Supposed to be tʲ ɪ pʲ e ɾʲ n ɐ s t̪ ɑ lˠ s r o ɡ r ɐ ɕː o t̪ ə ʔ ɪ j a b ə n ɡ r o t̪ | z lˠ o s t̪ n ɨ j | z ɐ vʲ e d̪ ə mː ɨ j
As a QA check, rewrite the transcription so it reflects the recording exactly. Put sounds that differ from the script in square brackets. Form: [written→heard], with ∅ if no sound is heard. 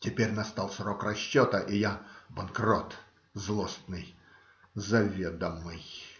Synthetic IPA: tʲ ɪ pʲ e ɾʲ n ɐ s t̪ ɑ lˠ s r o [ɡ→k] r ɐ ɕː o t̪ ə ʔ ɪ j a b [ə→ɐ] n [ɡ→k] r o t̪ | z lˠ o s t̪ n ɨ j | z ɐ vʲ e d̪ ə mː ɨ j